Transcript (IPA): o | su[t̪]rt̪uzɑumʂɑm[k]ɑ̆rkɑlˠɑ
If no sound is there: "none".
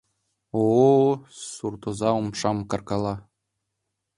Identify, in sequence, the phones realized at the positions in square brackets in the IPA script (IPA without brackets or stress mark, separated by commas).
none, k